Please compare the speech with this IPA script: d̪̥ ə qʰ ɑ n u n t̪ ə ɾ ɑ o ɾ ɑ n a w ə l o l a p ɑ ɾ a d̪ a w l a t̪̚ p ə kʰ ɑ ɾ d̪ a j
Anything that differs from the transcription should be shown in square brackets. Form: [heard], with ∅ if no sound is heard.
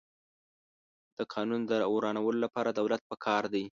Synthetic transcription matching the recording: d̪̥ ə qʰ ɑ n u n [d̪] ə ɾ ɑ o ɾ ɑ n a w ə l o l a p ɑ ɾ a d̪ a w l a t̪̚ p ə kʰ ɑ ɾ d̪ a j

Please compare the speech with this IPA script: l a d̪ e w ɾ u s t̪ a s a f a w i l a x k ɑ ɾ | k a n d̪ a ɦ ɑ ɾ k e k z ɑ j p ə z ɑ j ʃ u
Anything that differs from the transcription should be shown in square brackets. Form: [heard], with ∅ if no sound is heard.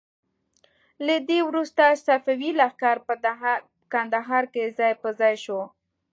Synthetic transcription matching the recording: l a d̪ e w ɾ u s t̪ a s a f a w i l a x k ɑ ɾ | k a n d̪ a ɦ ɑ ɾ k e [∅] z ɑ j p ə z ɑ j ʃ [o]

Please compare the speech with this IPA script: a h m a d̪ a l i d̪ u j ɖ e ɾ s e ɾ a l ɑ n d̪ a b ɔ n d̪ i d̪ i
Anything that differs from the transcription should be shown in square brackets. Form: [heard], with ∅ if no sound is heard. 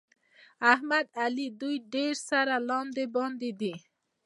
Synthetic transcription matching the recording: a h m a d̪ a l i d̪ u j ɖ e ɾ s [a] ɾ a l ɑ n d̪ [e] b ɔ n d̪ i d̪ i

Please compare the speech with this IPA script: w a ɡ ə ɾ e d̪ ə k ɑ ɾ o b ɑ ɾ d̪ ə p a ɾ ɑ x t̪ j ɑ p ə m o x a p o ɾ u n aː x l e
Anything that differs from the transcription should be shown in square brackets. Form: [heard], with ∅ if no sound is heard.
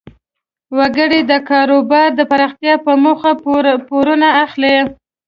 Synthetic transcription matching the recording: w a ɡ ə [ɽ] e d̪ ə k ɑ ɾ o b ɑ ɾ d̪ ə p a ɾ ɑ x t̪ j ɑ p ə m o x a p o ɾ u n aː x l e

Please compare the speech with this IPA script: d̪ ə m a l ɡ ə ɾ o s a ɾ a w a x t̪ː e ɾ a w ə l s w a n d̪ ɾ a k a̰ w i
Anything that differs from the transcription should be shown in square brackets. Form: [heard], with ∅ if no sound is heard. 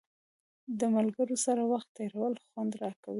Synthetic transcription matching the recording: d̪ ə m a l ɡ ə ɾ o s a ɾ a w a x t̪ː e ɾ a w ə l [x] w a n d̪ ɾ [ɑ] k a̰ w i

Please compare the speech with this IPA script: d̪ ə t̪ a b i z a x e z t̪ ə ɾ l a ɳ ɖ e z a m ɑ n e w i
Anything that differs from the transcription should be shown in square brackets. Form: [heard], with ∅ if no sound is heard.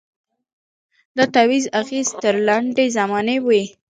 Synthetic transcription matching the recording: d̪ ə t̪ a [w] i z a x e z t̪ ə ɾ l a ɳ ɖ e z a m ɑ n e w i

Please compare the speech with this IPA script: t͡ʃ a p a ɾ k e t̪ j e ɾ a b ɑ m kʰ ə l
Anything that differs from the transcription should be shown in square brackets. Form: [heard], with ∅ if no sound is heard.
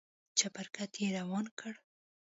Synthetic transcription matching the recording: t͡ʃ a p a ɾ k [a] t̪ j e ɾ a [w] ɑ [n] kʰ ə [ɽ]

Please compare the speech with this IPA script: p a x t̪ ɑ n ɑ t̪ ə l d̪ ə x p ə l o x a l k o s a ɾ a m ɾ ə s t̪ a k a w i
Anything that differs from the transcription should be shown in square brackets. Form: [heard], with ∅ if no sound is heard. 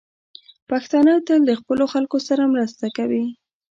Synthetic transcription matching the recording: p a x t̪ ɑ n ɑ t̪ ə l d̪ ə x p ə l o x a l k o s a ɾ a m ɾ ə s t̪ a k a w i

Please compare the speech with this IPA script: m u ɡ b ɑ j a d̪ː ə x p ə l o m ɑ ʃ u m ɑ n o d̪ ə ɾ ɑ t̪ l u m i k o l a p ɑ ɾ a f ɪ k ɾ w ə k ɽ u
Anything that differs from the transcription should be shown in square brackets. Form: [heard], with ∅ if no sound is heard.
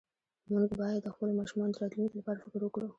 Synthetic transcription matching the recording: m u ɡ b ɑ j a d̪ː ə x p ə l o m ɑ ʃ u m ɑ n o d̪ ə ɾ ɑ t̪ l u [n] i k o l a p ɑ ɾ a f ɪ k ɾ w ə k ɽ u

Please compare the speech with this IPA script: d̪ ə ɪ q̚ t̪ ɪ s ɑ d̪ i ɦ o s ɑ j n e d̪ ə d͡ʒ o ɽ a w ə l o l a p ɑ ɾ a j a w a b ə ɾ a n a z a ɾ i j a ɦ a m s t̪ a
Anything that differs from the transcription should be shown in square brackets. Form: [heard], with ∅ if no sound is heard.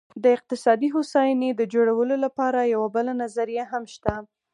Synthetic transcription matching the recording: d̪ ə ɪ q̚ t̪ ɪ s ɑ d̪ i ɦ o s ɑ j n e d̪ ə d͡ʒ o ɽ a w ə l o l a p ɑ ɾ a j a w a b ə [l] a n a z a ɾ i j a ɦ a m [ʃ] t̪ a

